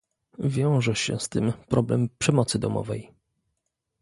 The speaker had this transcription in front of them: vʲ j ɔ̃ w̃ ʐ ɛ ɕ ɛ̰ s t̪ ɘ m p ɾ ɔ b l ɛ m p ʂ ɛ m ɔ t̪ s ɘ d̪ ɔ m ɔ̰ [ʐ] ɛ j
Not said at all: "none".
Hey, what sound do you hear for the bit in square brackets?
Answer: v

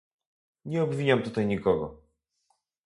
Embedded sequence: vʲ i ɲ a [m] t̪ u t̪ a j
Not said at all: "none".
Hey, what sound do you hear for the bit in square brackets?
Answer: m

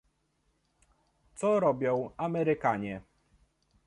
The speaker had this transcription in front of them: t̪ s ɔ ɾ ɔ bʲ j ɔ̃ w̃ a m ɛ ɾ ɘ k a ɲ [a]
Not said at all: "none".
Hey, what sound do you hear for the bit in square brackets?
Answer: ɛ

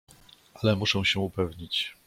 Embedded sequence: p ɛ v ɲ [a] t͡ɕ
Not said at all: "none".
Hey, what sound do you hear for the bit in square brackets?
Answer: i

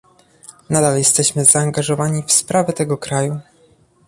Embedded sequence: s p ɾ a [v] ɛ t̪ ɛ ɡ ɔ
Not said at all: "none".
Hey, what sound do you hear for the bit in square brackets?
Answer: v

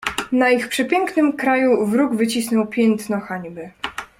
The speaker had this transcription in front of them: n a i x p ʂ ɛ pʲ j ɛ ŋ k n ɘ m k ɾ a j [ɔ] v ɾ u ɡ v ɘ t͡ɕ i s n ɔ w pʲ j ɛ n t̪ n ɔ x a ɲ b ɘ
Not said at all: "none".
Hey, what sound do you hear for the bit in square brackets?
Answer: u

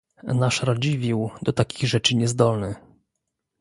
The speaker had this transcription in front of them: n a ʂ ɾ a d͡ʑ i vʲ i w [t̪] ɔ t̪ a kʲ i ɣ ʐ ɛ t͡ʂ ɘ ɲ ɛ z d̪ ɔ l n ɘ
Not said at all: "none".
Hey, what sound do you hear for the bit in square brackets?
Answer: d̪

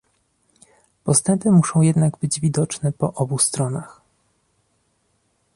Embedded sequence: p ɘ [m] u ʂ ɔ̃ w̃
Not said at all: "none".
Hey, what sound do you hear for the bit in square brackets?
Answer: m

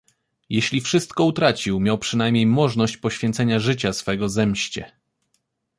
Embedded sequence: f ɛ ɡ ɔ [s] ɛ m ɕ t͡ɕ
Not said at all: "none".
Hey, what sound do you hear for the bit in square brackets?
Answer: z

